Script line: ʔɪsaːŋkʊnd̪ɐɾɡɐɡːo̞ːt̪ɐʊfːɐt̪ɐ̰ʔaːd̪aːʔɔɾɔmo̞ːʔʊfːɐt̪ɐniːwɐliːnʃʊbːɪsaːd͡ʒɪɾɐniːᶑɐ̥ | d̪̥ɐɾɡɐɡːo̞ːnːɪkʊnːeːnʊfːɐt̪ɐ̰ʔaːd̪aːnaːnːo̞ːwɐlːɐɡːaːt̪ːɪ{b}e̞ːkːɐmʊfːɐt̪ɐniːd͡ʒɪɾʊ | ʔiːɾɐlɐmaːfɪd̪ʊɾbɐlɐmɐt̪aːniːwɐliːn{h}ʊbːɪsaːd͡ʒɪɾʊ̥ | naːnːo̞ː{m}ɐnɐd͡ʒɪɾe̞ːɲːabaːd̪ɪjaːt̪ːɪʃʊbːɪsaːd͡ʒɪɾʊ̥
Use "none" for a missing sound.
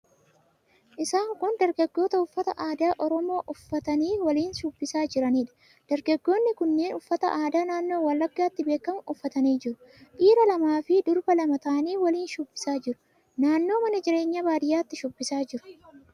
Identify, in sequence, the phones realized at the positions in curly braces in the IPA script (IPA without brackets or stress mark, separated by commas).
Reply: b, ʃ, m